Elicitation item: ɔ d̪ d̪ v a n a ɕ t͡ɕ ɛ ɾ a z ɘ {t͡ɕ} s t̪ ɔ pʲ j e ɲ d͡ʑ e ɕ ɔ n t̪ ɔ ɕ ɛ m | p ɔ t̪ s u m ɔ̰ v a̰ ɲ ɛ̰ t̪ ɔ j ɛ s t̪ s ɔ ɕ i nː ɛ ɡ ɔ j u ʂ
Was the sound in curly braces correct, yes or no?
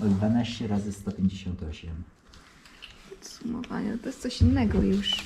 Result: no